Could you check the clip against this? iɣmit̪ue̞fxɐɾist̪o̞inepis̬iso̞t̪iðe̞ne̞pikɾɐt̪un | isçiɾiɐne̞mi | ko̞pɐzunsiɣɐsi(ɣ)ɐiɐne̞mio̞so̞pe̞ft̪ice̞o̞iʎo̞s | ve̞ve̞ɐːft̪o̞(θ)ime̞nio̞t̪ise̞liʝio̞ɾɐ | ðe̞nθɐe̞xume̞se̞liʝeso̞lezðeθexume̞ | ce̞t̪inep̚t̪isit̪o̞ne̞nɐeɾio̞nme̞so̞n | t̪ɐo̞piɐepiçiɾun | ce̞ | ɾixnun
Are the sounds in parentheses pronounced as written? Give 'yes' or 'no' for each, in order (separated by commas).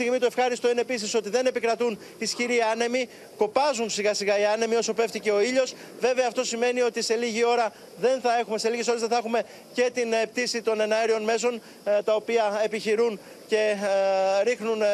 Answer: yes, no